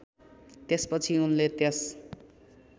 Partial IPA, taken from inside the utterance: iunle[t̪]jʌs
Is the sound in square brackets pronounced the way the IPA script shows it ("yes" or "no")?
yes